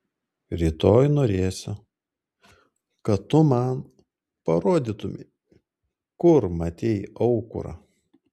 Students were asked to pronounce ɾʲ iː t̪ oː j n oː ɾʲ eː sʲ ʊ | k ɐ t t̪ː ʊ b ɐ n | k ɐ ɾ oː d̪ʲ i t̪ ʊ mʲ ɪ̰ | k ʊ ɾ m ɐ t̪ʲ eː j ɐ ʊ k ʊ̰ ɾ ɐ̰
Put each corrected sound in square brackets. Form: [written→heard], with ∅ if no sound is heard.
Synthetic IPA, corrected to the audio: ɾʲ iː t̪ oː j n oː ɾʲ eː sʲ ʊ | k ɐ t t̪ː ʊ [b→m] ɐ n | [k→p] ɐ ɾ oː d̪ʲ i t̪ ʊ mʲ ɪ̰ | k ʊ ɾ m ɐ t̪ʲ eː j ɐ ʊ k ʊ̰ ɾ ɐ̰